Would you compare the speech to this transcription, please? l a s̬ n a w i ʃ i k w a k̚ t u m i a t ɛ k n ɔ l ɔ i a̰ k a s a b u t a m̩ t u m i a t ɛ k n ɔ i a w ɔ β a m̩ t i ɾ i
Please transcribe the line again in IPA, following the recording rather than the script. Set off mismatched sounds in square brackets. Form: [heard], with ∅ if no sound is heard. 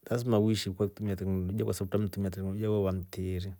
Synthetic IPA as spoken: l a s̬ [m] a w i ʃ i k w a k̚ t u m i a t ɛ k n ɔ l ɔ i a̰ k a s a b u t a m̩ t u m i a t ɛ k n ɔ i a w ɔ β a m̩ t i ɾ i